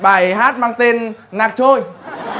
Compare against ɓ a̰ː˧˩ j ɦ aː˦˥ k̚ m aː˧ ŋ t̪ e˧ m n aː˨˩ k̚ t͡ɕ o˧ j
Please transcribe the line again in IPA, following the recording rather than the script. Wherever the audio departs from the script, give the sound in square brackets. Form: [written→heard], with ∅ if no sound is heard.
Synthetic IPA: ɓ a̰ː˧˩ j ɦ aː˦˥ [k̚→t̚] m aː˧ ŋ t̪ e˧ [m→n] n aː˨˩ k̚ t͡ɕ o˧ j